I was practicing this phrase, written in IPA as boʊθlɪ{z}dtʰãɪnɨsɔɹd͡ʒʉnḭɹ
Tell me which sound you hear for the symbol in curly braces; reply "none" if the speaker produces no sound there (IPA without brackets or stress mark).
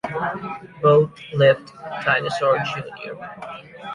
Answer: v